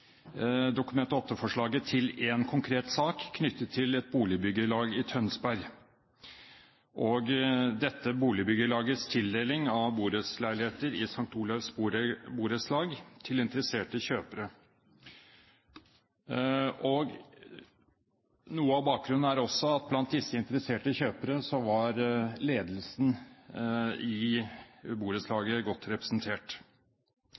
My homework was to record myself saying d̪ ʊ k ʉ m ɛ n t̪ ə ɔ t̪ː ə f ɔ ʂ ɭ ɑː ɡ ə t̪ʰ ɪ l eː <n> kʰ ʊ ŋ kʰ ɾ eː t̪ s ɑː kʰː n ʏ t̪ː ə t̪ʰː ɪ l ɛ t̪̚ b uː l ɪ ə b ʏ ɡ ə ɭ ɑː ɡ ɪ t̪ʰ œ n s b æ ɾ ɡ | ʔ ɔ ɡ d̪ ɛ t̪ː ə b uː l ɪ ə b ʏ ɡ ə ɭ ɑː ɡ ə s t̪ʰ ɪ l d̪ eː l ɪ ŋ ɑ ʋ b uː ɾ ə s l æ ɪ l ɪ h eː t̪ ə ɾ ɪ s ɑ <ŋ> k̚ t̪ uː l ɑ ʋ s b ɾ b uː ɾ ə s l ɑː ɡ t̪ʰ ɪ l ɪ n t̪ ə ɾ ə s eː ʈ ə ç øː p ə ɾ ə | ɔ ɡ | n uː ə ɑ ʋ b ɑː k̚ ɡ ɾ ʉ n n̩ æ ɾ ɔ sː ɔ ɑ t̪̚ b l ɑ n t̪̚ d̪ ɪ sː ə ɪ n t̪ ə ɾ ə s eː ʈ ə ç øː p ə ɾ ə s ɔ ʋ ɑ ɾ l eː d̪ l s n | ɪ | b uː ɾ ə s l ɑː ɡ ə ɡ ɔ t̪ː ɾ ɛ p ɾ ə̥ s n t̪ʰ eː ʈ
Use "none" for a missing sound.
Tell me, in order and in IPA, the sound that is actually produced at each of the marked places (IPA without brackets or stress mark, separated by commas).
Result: n, ŋ